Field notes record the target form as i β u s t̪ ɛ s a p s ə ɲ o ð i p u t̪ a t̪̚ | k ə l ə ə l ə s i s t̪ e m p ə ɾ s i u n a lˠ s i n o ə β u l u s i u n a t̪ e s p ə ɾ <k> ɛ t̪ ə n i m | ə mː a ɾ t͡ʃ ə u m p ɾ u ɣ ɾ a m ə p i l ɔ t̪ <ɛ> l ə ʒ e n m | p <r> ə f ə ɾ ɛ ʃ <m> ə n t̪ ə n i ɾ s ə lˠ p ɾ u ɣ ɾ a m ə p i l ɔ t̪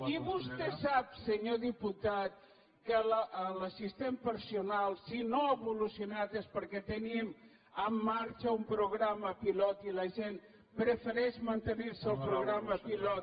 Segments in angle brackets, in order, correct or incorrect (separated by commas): correct, incorrect, incorrect, correct